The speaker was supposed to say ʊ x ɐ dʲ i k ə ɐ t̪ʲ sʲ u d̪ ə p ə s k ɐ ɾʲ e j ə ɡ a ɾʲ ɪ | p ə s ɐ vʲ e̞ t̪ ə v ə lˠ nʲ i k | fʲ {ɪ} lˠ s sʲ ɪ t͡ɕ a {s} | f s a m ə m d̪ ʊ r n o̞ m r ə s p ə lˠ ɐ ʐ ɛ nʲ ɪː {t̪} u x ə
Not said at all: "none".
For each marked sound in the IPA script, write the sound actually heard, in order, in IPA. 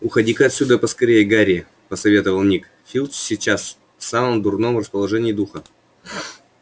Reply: i, s, d̪

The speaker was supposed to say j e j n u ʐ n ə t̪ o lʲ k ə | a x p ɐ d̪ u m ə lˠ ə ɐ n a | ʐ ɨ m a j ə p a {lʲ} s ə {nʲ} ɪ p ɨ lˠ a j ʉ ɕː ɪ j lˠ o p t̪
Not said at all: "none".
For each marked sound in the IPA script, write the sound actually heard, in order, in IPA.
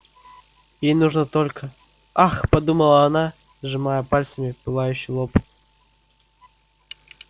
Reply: lʲ, mʲ

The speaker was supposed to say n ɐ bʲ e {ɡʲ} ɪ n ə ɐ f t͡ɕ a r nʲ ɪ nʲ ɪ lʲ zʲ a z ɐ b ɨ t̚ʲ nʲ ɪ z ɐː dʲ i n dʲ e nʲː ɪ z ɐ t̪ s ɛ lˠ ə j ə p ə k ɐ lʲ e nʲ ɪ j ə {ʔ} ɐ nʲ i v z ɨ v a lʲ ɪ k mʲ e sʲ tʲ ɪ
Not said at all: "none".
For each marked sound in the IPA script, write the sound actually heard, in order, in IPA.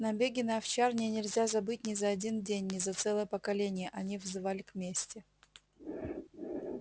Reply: ɡʲ, ʔ

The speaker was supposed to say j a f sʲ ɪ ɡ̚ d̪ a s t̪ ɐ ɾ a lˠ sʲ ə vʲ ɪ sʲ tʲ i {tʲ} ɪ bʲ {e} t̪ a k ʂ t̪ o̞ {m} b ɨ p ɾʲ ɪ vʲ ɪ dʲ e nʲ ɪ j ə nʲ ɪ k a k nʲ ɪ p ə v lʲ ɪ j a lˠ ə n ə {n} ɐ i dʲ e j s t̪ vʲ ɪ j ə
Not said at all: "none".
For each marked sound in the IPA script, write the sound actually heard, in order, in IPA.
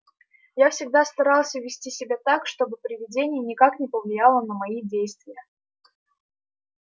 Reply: sʲ, a, none, m

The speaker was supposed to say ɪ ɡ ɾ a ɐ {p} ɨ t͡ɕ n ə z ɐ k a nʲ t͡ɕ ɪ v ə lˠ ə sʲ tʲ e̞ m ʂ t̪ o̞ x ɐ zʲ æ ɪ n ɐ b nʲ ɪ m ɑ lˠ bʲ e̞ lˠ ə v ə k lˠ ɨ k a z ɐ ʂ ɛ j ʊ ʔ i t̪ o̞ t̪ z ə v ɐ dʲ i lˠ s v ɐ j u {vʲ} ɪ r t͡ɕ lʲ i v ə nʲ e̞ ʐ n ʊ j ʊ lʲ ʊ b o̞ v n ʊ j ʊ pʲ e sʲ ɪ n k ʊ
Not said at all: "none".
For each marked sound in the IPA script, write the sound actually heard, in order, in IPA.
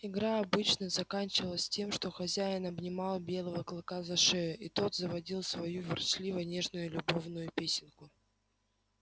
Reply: b, vʲ

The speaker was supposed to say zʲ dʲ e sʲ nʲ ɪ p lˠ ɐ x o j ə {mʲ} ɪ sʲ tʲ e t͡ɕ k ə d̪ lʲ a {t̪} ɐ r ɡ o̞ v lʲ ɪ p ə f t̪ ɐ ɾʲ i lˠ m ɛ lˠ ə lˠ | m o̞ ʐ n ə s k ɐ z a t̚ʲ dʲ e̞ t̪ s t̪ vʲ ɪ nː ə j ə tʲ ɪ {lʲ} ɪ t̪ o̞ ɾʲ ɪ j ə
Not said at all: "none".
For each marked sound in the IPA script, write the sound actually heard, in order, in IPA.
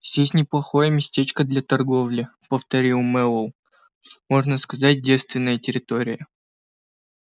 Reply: mʲ, t̪, ɾʲ

